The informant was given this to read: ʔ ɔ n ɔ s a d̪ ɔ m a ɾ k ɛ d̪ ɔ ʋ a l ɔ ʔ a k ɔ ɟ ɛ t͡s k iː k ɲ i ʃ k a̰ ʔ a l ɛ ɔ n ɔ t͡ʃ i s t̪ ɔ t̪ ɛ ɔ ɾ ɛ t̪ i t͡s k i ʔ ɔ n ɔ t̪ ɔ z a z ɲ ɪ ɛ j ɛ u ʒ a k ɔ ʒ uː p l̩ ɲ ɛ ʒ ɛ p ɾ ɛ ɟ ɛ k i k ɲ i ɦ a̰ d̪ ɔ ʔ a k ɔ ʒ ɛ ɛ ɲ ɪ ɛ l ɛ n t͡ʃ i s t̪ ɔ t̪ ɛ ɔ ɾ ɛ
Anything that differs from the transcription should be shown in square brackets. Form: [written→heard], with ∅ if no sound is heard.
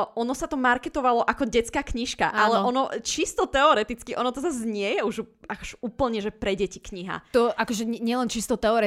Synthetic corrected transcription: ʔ ɔ n ɔ s a [d̪→t̪] ɔ m a ɾ k ɛ [d̪→t̪] ɔ ʋ a l ɔ ʔ a k ɔ ɟ ɛ t͡s k [iː→aː] k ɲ i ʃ k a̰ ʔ a l ɛ ɔ n ɔ t͡ʃ i s t̪ ɔ t̪ ɛ ɔ ɾ ɛ t̪ i t͡s k i ʔ ɔ n ɔ t̪ ɔ z a z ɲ ɪ ɛ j ɛ u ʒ a k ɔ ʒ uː p l̩ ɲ ɛ ʒ ɛ p ɾ ɛ ɟ ɛ [k→c] i k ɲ i ɦ a̰ [d̪→t̪] ɔ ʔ a k ɔ ʒ ɛ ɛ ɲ ɪ ɛ l ɛ n t͡ʃ i s t̪ ɔ t̪ ɛ ɔ ɾ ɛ